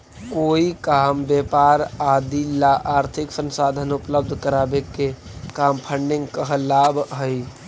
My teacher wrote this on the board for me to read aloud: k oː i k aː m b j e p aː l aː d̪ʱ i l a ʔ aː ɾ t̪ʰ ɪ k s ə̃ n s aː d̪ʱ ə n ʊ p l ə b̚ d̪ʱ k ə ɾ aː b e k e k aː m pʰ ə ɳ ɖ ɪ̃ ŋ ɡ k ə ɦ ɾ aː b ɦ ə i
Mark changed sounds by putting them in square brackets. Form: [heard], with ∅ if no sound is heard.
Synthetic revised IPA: k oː i k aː m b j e p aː [ɾ] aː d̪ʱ i l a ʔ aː ɾ t̪ʰ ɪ k s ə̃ n s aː d̪ʱ ə n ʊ p l ə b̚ d̪ʱ k ə ɾ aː b e k e k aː m pʰ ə ɳ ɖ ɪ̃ ŋ ɡ k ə ɦ [l] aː b ɦ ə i

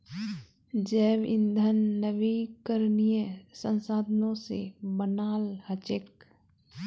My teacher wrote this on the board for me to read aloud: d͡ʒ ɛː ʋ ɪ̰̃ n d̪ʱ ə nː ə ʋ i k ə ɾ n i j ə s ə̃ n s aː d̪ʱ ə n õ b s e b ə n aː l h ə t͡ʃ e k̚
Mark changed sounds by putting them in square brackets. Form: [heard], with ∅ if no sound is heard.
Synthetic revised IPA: d͡ʒ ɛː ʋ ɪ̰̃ n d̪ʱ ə nː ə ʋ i k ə ɾ n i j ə s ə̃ n s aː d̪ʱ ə n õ [∅] s e b ə n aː l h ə t͡ʃ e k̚

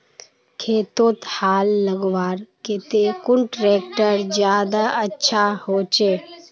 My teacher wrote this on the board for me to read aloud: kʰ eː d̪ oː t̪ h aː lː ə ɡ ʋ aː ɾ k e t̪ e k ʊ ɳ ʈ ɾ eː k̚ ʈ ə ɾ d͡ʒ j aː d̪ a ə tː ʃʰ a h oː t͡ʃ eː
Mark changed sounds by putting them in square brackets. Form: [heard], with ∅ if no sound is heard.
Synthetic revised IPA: kʰ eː [t̪] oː t̪ h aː lː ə ɡ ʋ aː ɾ k e t̪ e k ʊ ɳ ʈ ɾ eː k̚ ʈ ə ɾ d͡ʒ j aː d̪ a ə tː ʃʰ a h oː t͡ʃ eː

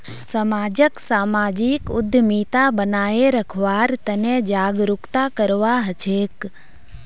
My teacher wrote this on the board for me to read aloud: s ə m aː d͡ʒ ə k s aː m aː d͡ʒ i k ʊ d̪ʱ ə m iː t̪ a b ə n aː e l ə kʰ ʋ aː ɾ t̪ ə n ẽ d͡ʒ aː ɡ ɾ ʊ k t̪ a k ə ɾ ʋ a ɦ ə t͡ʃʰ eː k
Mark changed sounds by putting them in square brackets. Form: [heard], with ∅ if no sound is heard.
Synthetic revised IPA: s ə m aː d͡ʒ ə k s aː m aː d͡ʒ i k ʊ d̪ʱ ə m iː t̪ a b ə n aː e [ɾ] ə kʰ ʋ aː ɾ t̪ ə n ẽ d͡ʒ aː ɡ ɾ ʊ k t̪ a k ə ɾ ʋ a ɦ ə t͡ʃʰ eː k

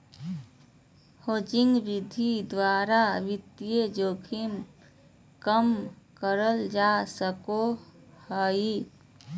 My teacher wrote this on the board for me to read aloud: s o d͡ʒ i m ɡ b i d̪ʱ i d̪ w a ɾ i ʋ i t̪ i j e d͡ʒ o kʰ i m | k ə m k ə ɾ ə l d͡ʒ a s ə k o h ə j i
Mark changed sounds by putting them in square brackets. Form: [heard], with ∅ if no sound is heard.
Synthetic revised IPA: [h] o d͡ʒ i [ŋ] ɡ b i d̪ʱ i d̪ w a ɾ [a] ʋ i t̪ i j e d͡ʒ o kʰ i m | k ə m k ə ɾ ə l d͡ʒ a s ə k o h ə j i

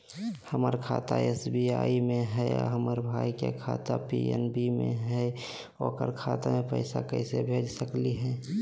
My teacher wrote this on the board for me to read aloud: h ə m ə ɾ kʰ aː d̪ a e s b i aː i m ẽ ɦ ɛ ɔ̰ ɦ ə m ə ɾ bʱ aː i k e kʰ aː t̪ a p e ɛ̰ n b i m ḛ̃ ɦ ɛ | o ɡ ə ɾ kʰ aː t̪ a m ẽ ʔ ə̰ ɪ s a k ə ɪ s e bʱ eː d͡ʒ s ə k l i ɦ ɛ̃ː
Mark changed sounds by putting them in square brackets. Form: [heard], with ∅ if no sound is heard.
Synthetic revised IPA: h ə m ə ɾ kʰ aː [t̪] a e s b i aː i m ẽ ɦ ɛ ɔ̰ ɦ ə m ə ɾ bʱ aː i k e kʰ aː t̪ a p [i] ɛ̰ n b i m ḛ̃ ɦ ɛ | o [k] ə ɾ kʰ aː t̪ a m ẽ [p] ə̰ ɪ s a k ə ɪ s e bʱ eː d͡ʒ s ə k l i ɦ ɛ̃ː

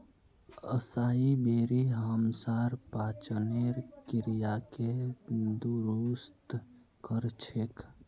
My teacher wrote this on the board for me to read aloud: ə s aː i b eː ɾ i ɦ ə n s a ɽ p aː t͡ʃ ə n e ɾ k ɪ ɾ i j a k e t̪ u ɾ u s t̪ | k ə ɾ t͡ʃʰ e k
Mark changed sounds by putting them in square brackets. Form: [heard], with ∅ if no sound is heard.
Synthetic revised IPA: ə s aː i b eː ɾ i ɦ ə [m] s a [ɾ] p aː t͡ʃ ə n e ɾ k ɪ ɾ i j a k e [d̪] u ɾ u s t̪ | k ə ɾ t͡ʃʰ e k

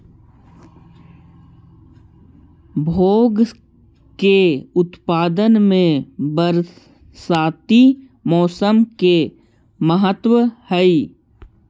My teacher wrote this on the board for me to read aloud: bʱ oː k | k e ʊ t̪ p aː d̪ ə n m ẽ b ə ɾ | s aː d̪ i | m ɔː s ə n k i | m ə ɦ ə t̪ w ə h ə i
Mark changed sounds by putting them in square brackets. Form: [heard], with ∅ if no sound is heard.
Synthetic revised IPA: bʱ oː [ɡ] | k e ʊ t̪ p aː d̪ ə n m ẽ b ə ɾ | s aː [t̪] i | m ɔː s ə [m] k [e] | m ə ɦ ə t̪ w ə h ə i

